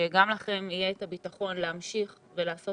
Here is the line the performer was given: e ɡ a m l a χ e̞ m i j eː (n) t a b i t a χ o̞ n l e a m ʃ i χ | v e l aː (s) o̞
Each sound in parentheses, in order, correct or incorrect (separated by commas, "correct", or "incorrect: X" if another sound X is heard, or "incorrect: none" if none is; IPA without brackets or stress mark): incorrect: none, correct